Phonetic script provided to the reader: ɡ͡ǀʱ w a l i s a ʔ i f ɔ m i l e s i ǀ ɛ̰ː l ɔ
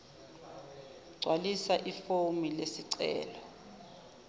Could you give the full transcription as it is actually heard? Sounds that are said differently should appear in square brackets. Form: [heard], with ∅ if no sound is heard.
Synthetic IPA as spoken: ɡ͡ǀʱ w a l i s a ʔ i f [o] m i l e s i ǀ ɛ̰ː l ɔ